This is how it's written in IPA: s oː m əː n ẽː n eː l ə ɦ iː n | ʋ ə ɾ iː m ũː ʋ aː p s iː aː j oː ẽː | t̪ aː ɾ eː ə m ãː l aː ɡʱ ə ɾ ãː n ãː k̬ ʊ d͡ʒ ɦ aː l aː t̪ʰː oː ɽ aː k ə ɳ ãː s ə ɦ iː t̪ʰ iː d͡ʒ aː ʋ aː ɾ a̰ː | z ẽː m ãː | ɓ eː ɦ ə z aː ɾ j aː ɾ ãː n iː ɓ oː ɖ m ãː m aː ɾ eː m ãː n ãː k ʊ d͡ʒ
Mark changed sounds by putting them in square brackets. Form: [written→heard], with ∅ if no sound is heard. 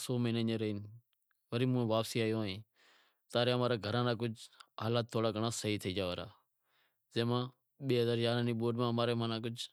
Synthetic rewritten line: s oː m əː n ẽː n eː [l→ɾ] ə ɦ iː n | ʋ ə ɾ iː m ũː ʋ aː p s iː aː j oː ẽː | t̪ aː ɾ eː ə m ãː [l→ɾ] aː ɡʱ ə ɾ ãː n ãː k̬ ʊ d͡ʒ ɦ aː l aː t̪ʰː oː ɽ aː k ə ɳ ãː s ə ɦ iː t̪ʰ iː d͡ʒ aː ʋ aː ɾ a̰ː | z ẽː m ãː | ɓ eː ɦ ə z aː ɾ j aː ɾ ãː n iː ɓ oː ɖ m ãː m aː ɾ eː m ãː n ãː k ʊ d͡ʒ